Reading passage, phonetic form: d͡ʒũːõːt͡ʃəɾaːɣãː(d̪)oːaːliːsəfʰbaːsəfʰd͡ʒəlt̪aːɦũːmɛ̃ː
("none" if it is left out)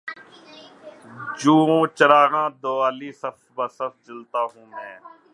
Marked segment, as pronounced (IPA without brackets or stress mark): d̪